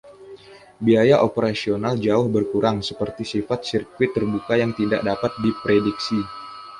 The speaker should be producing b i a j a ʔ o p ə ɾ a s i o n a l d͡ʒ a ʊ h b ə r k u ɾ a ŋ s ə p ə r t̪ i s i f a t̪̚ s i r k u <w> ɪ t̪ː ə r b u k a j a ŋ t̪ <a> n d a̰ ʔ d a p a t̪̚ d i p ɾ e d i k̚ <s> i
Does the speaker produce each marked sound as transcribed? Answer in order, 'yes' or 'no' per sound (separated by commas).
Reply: yes, no, yes